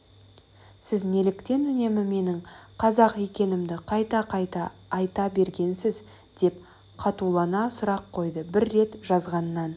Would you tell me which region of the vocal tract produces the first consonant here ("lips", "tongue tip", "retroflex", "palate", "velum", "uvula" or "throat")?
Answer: tongue tip